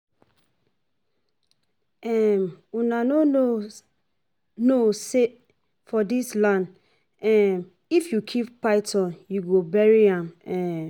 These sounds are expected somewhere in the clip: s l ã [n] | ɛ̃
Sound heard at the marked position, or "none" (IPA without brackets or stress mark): n